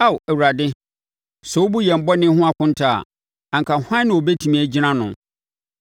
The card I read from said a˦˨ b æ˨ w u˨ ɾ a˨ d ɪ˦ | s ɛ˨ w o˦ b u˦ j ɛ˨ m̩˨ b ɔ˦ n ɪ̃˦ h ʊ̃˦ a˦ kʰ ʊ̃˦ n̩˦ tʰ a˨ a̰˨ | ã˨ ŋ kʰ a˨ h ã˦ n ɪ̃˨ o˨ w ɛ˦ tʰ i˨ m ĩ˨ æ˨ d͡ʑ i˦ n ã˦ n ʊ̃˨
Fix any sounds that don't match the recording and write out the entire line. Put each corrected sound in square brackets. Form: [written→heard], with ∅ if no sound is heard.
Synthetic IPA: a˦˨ [b→w] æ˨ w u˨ ɾ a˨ d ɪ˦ | s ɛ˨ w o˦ b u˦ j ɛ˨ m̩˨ b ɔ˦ n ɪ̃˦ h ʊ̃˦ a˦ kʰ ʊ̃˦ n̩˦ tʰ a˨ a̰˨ | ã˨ ŋ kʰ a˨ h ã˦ n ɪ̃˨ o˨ [w→b] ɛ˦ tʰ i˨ m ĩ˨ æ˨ d͡ʑ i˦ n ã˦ n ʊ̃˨

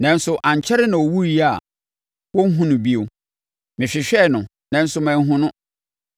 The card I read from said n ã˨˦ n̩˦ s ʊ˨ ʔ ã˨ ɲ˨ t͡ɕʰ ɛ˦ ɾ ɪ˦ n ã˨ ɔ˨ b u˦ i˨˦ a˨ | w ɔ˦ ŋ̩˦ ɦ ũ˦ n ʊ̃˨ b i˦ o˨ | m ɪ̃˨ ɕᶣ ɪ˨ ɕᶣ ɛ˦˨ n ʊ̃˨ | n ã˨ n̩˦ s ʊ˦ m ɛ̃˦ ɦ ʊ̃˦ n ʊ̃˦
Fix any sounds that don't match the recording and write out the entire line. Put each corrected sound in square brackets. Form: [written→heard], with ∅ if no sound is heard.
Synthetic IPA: n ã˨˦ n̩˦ s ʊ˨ ʔ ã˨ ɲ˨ t͡ɕʰ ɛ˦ ɾ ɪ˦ n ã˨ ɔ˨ [b→w] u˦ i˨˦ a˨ | w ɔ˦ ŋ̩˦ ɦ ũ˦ n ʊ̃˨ b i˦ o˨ | m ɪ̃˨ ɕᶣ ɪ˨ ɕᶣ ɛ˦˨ n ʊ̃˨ | n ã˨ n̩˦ s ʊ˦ m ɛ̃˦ ɦ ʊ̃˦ n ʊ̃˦

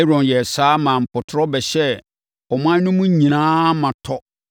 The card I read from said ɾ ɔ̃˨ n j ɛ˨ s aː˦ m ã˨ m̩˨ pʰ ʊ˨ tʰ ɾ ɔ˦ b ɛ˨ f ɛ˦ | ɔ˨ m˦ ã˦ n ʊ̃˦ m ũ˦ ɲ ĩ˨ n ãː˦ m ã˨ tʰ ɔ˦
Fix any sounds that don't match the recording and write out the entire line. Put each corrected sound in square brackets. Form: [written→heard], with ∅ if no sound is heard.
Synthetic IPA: ɾ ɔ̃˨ n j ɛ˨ s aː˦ m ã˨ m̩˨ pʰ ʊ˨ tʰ ɾ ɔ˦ b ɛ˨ [f→ɕ] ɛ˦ | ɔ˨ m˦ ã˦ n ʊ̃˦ m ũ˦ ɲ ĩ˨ n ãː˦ m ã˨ tʰ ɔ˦

